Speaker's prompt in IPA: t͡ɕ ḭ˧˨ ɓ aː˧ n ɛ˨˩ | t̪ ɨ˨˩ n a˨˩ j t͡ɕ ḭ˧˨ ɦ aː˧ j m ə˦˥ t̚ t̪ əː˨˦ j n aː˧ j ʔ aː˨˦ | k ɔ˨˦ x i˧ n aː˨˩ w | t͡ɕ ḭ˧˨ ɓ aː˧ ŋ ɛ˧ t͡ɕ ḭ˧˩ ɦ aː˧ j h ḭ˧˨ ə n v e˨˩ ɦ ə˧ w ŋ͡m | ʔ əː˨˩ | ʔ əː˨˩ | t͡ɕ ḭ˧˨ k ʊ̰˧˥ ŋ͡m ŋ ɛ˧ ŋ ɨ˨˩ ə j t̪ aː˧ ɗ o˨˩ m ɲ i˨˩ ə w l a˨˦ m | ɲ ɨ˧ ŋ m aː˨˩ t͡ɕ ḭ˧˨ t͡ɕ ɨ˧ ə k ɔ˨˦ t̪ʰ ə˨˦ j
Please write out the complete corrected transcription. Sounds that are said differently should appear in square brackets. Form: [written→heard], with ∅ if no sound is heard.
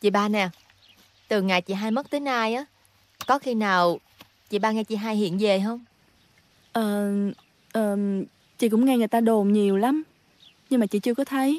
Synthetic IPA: t͡ɕ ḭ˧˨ ɓ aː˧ n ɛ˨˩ | t̪ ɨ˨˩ [n→ŋ] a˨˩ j t͡ɕ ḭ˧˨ ɦ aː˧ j m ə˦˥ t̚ t̪ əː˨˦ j n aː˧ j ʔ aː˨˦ | k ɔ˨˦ x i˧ n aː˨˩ w | t͡ɕ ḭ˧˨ ɓ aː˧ ŋ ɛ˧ t͡ɕ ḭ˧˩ ɦ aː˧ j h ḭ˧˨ ə n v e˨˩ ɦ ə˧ w ŋ͡m | ʔ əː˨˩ | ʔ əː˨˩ | t͡ɕ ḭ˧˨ k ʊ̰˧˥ ŋ͡m ŋ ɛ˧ ŋ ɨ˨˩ ə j t̪ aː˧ ɗ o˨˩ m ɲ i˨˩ ə w l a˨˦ m | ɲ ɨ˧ ŋ m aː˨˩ t͡ɕ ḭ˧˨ t͡ɕ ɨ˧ ə k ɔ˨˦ t̪ʰ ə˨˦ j